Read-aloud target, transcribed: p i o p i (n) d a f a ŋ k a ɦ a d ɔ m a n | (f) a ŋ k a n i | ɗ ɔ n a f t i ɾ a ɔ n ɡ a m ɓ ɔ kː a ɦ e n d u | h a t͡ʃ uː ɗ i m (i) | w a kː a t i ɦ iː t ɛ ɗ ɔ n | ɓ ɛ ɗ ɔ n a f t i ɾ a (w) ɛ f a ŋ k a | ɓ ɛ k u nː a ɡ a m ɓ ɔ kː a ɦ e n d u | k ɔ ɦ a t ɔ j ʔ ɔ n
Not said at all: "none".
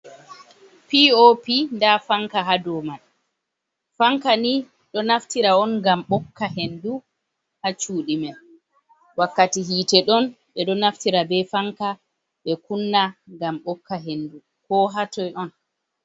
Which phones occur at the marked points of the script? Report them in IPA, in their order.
n, f, ɛ, b

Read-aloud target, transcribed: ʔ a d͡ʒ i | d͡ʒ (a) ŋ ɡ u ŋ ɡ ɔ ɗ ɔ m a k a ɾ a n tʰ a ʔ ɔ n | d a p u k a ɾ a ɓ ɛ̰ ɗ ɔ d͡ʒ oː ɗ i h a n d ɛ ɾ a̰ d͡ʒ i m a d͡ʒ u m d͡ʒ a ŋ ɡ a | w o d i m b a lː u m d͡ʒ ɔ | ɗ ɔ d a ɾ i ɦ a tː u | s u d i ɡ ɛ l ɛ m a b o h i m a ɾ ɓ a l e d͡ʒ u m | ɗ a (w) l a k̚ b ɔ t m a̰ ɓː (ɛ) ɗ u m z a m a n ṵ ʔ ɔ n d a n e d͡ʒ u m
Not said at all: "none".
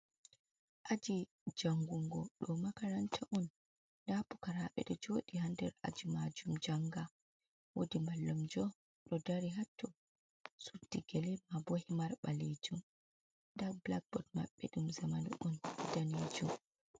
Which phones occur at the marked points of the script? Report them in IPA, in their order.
a, b, ɛ

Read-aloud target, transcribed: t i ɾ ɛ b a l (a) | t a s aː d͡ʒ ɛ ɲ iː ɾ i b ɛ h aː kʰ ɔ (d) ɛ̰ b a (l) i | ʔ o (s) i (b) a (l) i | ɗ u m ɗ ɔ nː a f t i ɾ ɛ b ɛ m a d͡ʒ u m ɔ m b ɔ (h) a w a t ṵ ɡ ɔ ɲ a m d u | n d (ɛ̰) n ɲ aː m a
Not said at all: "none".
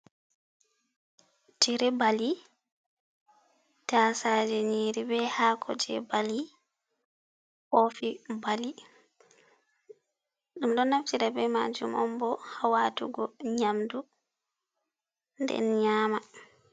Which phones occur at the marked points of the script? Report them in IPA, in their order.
i, d͡ʒ, l, f, b, l, h, ɛ̰

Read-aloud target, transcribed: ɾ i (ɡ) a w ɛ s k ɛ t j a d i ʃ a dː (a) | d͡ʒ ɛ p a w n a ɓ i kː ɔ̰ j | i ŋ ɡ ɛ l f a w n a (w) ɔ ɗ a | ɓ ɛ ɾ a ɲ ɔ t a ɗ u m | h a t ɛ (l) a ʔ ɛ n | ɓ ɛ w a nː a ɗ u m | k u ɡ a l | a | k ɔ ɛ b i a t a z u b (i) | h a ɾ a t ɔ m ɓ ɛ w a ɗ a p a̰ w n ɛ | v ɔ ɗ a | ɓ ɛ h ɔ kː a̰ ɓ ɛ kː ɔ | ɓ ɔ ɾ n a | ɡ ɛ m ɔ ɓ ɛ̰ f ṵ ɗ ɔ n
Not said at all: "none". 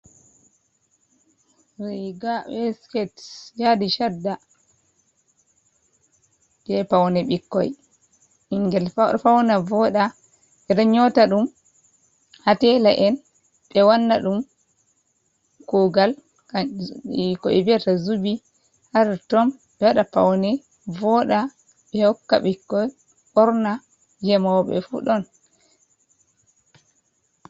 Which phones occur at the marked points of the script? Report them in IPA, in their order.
ɡ, a, v, l, i

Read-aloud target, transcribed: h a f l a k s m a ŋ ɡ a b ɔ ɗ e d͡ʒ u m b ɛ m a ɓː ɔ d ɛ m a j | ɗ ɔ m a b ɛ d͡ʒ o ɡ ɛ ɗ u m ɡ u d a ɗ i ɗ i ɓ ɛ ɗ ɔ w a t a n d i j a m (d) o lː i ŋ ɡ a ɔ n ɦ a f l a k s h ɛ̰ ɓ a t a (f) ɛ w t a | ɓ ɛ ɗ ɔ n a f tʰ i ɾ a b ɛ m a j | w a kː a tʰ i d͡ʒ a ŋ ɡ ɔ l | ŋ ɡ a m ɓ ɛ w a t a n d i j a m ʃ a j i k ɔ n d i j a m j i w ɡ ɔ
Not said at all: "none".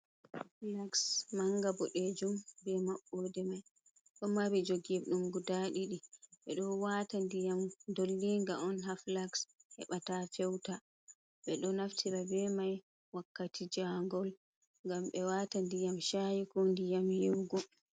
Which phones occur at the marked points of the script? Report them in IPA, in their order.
d, f

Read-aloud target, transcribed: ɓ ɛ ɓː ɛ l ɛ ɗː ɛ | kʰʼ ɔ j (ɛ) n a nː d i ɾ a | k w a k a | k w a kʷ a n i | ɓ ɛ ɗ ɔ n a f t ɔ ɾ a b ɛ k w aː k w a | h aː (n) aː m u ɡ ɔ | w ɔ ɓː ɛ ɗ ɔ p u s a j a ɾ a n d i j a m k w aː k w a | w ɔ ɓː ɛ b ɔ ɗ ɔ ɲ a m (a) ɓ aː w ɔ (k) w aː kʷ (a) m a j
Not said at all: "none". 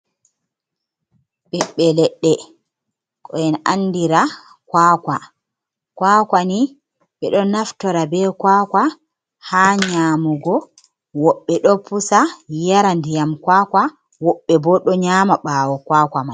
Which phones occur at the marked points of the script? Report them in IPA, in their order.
ɛ, ɲ, a, k, a

